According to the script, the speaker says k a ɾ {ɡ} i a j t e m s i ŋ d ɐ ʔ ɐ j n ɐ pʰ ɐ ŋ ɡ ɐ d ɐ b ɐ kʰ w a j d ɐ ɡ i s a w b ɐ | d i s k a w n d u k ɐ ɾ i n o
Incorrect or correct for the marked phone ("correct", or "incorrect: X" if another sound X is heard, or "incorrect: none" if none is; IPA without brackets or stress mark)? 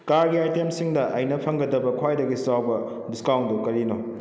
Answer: correct